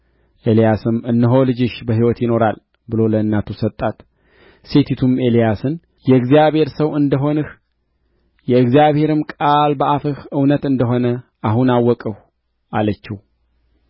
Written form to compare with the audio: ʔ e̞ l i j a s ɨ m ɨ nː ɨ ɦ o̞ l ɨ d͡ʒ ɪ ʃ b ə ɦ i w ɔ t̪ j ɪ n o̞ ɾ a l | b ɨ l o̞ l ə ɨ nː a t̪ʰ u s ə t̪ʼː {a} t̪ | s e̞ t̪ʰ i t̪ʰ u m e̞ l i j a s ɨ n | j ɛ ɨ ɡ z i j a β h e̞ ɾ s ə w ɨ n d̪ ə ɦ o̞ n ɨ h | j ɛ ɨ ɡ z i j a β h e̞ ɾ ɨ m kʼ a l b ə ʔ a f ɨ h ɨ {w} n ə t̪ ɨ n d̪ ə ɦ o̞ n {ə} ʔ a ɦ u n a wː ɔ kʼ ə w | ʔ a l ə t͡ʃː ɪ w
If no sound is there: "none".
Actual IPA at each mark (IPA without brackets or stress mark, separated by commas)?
a, w, ə